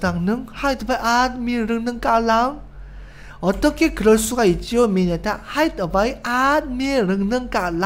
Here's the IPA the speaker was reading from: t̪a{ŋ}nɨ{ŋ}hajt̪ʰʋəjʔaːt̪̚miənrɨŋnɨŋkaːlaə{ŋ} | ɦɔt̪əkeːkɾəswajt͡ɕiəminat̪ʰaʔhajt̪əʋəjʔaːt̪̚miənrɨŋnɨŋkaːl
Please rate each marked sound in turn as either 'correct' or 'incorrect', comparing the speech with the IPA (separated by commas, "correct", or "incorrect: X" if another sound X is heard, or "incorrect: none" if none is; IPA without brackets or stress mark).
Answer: correct, correct, correct